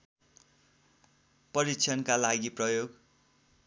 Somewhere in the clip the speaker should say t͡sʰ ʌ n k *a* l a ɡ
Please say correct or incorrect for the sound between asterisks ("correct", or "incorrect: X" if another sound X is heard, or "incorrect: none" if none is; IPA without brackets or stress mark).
correct